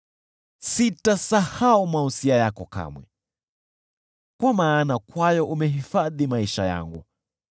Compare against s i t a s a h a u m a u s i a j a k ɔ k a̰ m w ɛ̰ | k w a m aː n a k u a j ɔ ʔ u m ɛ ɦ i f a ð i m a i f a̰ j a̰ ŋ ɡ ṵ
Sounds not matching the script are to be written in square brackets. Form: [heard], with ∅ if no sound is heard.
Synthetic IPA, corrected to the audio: s i t a s a h a u m a u s i a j a k ɔ k a̰ m w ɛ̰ | k w a m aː n a k [w] a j ɔ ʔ u m ɛ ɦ i f a ð i m a i [ʃ] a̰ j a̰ ŋ ɡ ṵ